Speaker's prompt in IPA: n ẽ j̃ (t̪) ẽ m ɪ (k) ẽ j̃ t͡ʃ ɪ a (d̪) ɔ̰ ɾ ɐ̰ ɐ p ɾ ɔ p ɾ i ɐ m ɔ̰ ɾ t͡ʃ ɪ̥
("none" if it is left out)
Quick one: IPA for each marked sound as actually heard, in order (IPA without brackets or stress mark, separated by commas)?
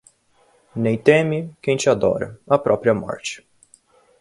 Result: t̪, k, d̪